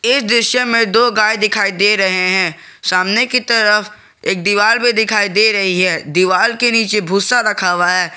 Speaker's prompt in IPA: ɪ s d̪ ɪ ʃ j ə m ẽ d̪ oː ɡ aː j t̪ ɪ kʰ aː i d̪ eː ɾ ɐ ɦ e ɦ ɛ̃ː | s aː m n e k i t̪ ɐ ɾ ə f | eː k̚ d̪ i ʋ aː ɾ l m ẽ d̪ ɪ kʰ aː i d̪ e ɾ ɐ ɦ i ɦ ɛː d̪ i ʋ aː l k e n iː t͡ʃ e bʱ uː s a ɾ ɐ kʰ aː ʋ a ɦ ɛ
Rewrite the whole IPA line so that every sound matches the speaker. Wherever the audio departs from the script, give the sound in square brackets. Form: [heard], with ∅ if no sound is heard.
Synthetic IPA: ɪ s d̪ ɪ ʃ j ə m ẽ d̪ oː ɡ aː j [d̪] ɪ kʰ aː i d̪ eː ɾ ɐ ɦ e ɦ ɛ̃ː | s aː m n e k i t̪ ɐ ɾ ə f | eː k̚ d̪ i ʋ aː [∅] l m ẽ d̪ ɪ kʰ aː i d̪ e ɾ ɐ ɦ i ɦ ɛː d̪ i ʋ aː l k e n iː t͡ʃ e bʱ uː s a ɾ ɐ kʰ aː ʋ a ɦ [ɛː]